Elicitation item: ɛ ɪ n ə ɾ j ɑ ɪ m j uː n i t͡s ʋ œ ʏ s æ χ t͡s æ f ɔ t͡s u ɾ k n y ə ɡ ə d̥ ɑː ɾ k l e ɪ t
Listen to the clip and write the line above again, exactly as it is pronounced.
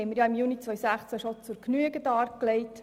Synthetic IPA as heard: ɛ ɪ m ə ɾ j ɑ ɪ m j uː n i t͡s ʋ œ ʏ s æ χ t͡s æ ʃ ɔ t͡s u ɾ k n y ə ɡ ə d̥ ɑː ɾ k l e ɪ t